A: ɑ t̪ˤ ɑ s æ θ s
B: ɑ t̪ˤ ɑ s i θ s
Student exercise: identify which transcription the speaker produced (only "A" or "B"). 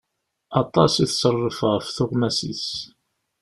B